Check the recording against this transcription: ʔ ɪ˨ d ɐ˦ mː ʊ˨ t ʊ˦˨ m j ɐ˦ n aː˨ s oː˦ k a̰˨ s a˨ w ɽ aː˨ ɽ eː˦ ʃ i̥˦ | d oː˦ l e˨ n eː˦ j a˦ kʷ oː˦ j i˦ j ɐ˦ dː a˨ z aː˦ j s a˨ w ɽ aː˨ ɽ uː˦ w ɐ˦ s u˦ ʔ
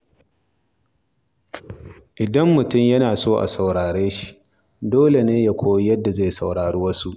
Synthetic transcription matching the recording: ʔ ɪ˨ d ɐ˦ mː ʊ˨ t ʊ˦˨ m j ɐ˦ n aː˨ s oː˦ ʔ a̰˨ s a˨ w ɽ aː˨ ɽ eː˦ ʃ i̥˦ | d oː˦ l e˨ n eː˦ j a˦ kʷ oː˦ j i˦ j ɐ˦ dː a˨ z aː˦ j s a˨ w ɽ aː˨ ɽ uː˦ w ɐ˦ s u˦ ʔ